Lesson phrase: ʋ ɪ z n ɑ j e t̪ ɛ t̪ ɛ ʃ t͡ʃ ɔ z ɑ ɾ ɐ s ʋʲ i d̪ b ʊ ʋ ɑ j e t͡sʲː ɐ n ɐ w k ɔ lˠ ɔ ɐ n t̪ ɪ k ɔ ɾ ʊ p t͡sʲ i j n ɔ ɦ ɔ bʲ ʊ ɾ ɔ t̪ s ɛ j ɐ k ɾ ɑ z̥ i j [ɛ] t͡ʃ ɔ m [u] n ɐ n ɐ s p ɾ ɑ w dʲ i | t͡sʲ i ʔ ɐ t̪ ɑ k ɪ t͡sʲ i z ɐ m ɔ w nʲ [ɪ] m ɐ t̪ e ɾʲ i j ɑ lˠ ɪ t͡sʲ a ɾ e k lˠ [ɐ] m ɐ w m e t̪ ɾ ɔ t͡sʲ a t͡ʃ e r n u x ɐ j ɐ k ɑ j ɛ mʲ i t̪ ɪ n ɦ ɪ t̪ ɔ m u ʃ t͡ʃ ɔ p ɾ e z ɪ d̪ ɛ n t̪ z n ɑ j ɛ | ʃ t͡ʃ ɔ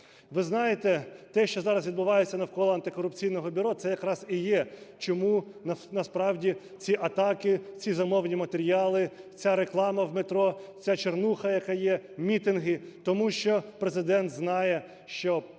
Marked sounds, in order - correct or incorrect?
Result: correct, correct, incorrect: i, incorrect: ɑ

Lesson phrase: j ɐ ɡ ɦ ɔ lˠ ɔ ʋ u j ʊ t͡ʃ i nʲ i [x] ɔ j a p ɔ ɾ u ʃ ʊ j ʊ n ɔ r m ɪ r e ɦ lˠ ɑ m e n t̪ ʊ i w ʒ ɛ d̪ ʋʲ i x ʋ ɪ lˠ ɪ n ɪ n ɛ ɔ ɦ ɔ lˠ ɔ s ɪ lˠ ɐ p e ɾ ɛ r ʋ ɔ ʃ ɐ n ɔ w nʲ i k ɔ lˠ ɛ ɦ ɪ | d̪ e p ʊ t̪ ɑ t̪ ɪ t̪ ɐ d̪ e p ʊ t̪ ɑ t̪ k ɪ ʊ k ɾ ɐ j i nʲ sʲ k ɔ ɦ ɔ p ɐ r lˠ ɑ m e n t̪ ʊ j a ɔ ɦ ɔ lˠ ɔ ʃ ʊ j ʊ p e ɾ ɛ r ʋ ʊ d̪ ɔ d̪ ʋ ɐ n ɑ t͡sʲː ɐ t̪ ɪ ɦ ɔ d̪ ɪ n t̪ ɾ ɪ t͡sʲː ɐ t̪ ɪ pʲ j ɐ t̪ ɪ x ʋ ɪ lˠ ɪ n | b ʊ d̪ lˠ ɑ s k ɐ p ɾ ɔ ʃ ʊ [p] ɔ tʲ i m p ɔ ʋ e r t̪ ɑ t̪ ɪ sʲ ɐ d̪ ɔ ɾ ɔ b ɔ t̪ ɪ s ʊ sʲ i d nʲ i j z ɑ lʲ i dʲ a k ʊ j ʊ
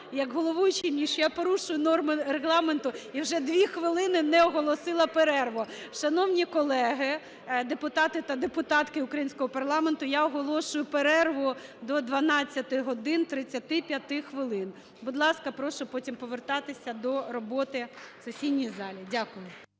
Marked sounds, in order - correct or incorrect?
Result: incorrect: ʃ, correct

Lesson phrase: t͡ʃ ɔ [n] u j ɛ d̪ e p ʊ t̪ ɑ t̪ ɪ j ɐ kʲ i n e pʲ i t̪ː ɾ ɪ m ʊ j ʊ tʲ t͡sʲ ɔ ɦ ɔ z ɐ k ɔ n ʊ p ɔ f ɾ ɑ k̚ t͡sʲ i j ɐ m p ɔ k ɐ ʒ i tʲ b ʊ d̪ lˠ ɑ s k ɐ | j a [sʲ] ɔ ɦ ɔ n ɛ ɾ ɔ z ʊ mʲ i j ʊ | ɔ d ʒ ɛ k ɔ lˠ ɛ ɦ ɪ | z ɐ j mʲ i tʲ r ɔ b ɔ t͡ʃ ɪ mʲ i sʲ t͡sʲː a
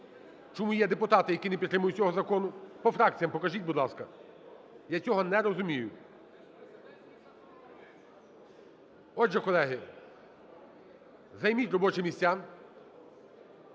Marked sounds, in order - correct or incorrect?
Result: incorrect: m, incorrect: t͡sʲ

